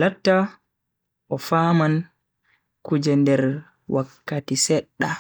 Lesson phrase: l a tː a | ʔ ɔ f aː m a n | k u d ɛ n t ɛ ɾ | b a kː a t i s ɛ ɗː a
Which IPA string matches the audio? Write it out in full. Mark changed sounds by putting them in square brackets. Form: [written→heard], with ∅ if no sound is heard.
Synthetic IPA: l a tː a | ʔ ɔ f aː m a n | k u [d→d͡ʒ] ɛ n [t→d] ɛ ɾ | [b→w] a kː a t i s ɛ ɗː a